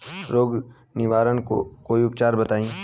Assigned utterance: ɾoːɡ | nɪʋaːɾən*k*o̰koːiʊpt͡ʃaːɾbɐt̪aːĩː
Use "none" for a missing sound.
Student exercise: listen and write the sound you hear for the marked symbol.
k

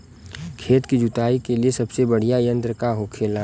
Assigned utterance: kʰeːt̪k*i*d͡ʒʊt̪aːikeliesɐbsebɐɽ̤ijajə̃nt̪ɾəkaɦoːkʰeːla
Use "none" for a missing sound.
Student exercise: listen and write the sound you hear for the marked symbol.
i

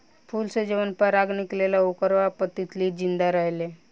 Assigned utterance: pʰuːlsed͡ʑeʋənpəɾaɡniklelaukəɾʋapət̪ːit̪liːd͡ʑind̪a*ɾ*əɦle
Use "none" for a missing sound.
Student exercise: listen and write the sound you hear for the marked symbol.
ɾ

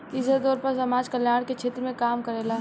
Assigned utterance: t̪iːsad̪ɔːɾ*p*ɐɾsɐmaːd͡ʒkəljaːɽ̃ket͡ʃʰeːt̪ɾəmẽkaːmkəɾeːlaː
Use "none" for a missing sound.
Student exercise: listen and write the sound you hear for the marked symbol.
p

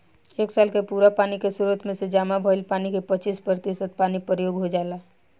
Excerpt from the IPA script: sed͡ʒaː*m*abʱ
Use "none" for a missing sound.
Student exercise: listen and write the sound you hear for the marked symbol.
m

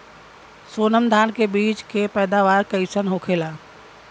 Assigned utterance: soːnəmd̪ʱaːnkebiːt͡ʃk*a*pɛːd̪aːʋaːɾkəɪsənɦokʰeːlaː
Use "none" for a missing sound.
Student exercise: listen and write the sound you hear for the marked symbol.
e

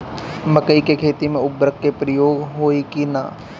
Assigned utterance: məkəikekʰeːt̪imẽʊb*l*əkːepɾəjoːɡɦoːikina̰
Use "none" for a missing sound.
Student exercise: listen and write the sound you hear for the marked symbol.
ɾ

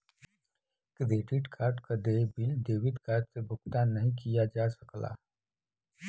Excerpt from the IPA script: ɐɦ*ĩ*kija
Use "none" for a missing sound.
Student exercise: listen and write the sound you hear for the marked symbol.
ĩ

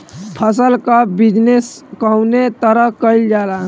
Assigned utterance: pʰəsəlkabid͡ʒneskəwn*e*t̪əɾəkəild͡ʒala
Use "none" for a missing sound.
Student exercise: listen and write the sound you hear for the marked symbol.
e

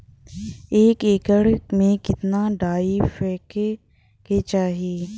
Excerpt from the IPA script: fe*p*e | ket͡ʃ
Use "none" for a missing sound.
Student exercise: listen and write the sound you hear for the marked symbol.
k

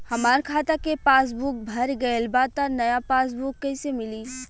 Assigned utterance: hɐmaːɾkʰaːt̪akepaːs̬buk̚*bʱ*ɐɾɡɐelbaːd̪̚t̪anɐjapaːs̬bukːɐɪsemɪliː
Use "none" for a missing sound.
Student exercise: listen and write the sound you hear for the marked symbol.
bʱ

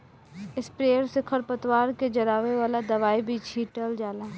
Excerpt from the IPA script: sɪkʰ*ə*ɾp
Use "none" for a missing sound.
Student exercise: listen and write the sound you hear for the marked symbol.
ə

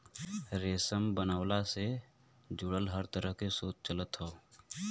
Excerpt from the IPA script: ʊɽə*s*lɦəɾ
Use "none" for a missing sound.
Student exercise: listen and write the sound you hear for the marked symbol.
none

